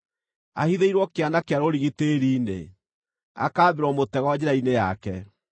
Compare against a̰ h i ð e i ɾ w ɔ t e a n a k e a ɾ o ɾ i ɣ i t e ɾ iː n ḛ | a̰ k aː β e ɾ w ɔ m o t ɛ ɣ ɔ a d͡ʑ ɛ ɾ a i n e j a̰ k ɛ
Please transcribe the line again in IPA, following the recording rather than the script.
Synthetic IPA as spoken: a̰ h i ð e i ɾ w ɔ k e a n a k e a ɾ o ɾ i ɣ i t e ɾ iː n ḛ | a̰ k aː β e ɾ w ɔ m o t ɛ ɣ ɔ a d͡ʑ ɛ ɾ a i n e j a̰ k ɛ